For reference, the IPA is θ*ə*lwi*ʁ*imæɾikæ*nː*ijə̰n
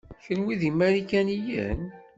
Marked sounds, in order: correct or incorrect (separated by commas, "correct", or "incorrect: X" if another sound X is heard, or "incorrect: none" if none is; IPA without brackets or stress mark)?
correct, incorrect: ð, incorrect: n